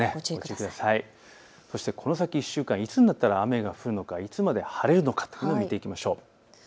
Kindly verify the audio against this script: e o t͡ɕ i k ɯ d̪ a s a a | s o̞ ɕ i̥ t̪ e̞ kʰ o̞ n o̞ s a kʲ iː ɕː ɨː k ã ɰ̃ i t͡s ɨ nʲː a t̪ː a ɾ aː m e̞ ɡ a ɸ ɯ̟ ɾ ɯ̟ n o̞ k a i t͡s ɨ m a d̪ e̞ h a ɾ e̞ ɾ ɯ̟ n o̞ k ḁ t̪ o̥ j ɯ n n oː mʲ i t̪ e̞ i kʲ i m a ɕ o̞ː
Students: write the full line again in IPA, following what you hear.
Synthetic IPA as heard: e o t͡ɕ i k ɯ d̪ a s a i | s o̞ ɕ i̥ t̪ e̞ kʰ o̞ n o̞ s a kʲ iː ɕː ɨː k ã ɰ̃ i t͡s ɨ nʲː a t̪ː a ɾ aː m e̞ ɡ a ɸ ɯ̟ ɾ ɯ̟ n o̞ k a i t͡s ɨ m a d̪ e̞ h a ɾ e̞ ɾ ɯ̟ n o̞ k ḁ t̪ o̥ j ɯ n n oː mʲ i t̪ e̞ i kʲ i m a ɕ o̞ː

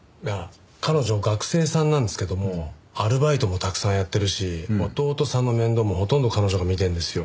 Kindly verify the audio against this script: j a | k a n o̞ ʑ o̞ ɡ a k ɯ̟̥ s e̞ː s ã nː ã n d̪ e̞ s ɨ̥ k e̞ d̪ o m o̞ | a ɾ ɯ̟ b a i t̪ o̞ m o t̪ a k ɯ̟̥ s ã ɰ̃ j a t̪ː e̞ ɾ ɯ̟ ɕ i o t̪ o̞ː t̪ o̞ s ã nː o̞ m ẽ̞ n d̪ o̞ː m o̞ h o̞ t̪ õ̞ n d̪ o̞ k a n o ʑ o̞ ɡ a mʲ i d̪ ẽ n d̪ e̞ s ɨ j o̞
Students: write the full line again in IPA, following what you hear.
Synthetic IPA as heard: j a | k a n o̞ ʑ o̞ ɡ a k ɯ̟̥ s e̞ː s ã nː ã n d̪ e̞ s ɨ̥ k e̞ d̪ o m o̞ | a ɾ ɯ̟ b a i t̪ o̞ m o t̪ a k ɯ̟̥ s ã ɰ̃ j a t̪ː e̞ ɾ ɯ̟ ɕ i o t̪ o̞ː t̪ o̞ s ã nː o̞ m ẽ̞ n d̪ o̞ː m o̞ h o̞ t̪ õ̞ n d̪ o̞ k a n o ʑ o̞ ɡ a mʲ i t̪ ẽ n d̪ e̞ s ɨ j o̞

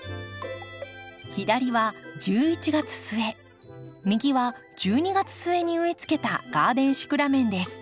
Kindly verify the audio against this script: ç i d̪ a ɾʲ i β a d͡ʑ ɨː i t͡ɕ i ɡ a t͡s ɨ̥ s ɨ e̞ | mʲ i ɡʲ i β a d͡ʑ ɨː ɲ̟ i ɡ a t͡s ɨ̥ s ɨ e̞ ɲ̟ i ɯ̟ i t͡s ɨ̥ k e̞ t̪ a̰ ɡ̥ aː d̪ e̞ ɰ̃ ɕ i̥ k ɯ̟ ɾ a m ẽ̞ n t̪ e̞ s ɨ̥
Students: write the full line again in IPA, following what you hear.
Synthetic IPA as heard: ç i d̪ a ɾʲ i β a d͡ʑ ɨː i t͡ɕ i ɡ a t͡s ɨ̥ s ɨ e̞ | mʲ i ɡʲ i β a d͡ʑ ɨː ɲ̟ i ɡ a t͡s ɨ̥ s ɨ e̞ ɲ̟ i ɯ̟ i t͡s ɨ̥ k e̞ t̪ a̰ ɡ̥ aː d̪ ẽ̞ ɰ̃ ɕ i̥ k ɯ̟ ɾ a m ẽ̞ n d̪ e̞ s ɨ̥

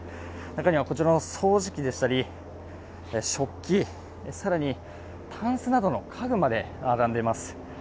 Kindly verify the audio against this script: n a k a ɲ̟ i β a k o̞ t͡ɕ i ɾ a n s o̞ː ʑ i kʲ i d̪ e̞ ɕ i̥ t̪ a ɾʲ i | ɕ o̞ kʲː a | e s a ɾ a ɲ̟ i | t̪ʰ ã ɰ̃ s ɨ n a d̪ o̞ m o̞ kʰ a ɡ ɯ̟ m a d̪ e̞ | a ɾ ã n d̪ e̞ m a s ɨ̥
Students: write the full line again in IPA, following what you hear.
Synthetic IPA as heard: n a k a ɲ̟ i β a k o̞ t͡ɕ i ɾ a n s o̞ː ʑ i kʲ i d̪ e̞ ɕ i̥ t̪ a ɾʲ i | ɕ o̞ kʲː i | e s a ɾ a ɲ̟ i | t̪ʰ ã ɰ̃ s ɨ n a d̪ o̞ n o̞ kʰ a ɡ ɯ̟ m a d̪ e̞ | a ɾ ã n d̪ e̞ m a s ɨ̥

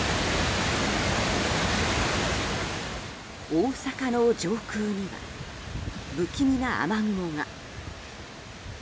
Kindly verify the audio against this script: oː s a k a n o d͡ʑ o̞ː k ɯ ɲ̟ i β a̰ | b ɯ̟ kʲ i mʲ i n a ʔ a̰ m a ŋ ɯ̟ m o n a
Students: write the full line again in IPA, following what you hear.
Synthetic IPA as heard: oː s a k a n o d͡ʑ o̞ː k ɯː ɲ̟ i β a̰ | b ɯ̟ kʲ i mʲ i n a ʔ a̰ m a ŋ ɯ̟ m o ŋ a

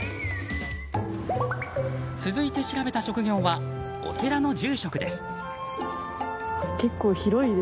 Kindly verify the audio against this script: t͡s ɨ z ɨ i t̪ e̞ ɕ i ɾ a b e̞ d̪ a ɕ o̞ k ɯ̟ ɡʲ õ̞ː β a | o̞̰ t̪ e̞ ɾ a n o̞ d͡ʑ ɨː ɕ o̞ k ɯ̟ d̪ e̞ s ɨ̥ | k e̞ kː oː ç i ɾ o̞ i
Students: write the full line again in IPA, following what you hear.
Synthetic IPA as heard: t͡s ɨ z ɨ i t̪ e̞ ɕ i ɾ a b e̞ t̪ a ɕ o̞ k ɯ̟ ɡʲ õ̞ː β a | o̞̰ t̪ e̞ ɾ a n o̞ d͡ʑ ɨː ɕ o̞ k ɯ̟ d̪ e̞ s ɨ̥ | k e̞ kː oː ç i ɾ o̞ i

